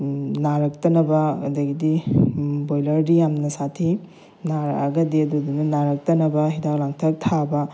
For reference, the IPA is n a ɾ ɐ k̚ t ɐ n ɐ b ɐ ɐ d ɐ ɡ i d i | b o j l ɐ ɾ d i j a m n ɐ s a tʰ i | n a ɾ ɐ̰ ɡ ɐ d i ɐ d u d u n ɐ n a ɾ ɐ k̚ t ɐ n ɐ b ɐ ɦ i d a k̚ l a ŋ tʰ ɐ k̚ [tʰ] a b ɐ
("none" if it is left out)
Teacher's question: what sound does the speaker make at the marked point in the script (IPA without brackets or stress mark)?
tʰ